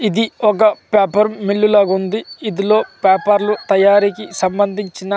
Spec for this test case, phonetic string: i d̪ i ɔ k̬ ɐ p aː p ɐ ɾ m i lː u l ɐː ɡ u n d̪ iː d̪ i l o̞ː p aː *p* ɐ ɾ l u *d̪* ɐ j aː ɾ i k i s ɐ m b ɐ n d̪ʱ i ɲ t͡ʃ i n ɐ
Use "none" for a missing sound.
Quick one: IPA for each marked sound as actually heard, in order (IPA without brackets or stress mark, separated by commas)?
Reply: p, t̪